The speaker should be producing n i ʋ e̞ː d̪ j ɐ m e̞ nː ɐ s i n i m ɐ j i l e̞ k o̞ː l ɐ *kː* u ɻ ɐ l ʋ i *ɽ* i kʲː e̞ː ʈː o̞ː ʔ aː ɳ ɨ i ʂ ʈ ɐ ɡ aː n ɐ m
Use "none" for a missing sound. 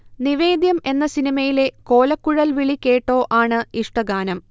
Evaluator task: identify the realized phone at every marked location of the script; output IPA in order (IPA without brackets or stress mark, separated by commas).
kː, ɭ